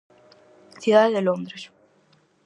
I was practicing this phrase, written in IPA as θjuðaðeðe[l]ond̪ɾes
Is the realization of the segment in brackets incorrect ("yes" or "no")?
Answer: no